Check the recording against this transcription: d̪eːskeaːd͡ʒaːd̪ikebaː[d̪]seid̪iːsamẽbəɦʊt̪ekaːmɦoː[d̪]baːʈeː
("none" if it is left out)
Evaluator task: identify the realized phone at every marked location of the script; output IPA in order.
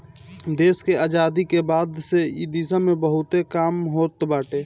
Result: d̪, t̪

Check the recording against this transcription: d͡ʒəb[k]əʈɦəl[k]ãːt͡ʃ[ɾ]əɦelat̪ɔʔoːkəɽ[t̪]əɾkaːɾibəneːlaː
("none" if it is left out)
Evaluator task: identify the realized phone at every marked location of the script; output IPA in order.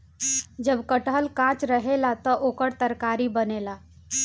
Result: k, k, ɾ, t̪

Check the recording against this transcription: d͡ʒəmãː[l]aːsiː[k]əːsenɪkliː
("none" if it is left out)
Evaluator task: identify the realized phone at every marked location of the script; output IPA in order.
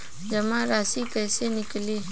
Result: ɾ, k

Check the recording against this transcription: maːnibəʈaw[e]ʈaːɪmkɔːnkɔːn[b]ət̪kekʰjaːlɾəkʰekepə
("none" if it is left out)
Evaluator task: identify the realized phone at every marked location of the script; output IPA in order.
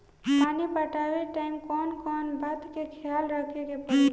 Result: e, b

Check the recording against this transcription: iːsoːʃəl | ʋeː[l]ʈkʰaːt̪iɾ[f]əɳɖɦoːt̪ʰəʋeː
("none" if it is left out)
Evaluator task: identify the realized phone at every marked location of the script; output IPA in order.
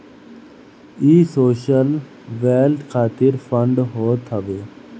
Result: l, f

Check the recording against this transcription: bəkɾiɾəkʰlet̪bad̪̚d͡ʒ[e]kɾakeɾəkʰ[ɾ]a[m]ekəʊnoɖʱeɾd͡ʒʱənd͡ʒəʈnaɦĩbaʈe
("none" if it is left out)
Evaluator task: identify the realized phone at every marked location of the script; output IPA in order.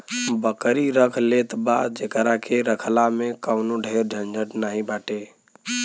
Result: e, l, m

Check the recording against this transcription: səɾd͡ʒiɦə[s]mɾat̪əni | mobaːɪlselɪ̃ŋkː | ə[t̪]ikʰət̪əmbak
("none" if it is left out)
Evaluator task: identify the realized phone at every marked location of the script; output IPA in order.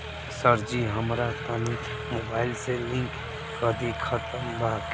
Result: none, d̪

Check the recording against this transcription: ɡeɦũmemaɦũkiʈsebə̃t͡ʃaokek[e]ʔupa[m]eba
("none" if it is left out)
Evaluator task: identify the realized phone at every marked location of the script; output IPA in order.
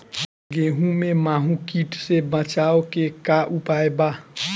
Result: a, none

